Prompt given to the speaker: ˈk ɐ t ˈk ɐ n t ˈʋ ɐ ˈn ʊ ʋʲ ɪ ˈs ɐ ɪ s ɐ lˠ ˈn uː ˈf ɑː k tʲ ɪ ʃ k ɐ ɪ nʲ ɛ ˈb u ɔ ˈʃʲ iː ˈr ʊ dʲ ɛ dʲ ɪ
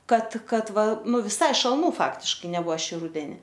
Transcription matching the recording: ˈk ɐ t ˈk ɐ t ˈʋ ɐ ˈn ʊ ʋʲ ɪ ˈs ɐ ɪ ʃ ɐ lˠ ˈn uː ˈf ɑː k tʲ ɪ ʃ k ɐ ɪ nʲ ɛ ˈb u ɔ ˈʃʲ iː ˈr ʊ dʲ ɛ nʲ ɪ